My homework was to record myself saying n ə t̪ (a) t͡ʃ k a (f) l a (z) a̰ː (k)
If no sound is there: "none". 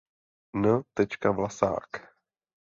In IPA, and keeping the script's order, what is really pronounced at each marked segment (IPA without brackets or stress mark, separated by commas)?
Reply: ɛ, v, s, k